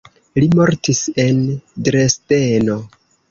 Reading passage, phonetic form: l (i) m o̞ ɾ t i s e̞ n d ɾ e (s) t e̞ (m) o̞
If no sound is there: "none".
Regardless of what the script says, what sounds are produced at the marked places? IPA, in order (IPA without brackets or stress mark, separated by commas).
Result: i, s, n